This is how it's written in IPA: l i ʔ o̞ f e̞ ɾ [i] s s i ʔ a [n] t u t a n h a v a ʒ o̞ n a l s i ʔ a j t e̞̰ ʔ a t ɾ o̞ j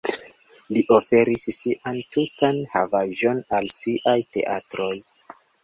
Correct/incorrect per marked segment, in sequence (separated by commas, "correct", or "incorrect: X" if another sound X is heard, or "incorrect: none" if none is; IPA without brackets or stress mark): correct, correct